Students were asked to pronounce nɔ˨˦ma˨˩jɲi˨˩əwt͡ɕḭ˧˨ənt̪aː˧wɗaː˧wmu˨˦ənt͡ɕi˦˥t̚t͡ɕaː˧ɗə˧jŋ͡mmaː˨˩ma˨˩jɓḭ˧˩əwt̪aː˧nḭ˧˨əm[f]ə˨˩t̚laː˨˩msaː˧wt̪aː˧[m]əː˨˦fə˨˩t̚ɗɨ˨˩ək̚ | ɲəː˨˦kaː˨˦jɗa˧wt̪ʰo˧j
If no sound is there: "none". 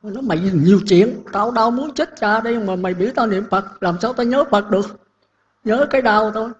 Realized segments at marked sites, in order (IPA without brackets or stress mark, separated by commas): f, ɲ